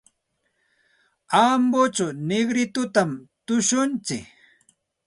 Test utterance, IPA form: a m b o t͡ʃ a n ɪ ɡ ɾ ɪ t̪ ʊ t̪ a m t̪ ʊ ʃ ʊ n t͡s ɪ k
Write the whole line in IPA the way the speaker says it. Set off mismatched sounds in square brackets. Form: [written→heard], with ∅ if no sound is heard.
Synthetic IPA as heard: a m b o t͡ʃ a n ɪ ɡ ɾ ɪ t̪ ʊ t̪ a m t̪ ʊ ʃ ʊ n t͡s ɪ k